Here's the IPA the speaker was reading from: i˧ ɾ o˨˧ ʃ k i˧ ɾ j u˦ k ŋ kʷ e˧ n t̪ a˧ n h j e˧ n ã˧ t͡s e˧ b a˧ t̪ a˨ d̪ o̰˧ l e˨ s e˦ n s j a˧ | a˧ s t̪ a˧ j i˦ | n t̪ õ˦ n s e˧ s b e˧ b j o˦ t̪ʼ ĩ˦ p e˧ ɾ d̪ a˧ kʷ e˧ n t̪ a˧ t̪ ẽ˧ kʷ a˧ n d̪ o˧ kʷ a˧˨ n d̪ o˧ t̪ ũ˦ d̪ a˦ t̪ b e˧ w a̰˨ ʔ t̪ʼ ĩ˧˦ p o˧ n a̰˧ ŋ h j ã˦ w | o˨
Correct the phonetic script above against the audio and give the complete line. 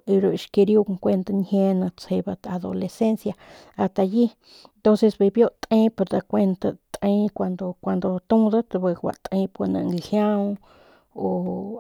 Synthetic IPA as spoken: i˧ ɾ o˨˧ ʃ k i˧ ɾ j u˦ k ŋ kʷ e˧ n t̪ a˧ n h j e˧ n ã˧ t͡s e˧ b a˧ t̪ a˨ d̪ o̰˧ l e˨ s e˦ n s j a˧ | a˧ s t̪ a˧ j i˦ | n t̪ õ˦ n s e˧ s b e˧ b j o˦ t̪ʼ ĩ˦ p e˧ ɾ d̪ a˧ kʷ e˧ n t̪ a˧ t̪ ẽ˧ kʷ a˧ n d̪ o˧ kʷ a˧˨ n d̪ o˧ t̪ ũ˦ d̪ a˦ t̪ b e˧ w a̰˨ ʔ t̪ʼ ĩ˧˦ p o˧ n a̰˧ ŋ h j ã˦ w | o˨